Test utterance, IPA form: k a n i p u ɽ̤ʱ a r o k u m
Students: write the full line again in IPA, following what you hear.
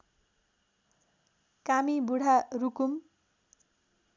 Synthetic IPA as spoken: k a m i b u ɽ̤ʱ a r u k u m